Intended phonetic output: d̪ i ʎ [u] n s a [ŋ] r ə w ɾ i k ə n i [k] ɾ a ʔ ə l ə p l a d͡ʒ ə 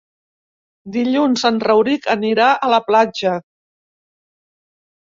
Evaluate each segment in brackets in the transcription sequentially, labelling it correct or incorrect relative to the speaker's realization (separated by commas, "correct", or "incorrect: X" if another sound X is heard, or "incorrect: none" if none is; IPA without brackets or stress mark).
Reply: correct, incorrect: n, incorrect: none